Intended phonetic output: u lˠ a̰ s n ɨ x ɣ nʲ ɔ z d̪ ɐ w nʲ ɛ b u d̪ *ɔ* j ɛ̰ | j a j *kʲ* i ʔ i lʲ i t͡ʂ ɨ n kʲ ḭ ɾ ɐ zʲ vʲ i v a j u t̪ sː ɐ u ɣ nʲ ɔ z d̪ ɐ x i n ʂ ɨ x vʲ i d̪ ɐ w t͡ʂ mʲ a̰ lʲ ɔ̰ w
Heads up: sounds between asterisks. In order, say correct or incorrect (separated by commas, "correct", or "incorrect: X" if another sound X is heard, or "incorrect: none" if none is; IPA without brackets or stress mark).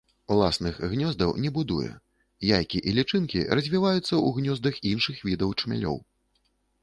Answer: incorrect: u, correct